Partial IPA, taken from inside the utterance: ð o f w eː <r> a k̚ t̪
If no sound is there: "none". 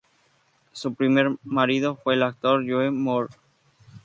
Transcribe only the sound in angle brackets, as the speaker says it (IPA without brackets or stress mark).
l